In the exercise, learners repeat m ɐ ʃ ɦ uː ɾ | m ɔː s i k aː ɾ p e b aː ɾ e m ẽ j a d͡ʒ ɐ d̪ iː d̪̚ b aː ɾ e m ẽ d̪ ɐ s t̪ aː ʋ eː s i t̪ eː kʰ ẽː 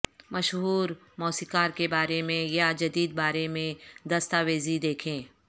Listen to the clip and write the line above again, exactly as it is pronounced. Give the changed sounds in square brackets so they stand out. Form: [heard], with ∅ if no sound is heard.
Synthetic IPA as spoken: m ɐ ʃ ɦ uː ɾ | m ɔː s i k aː ɾ [k] e b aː ɾ e m ẽ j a d͡ʒ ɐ d̪ iː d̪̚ b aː ɾ e m ẽ d̪ ɐ s t̪ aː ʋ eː [z] i [d̪] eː kʰ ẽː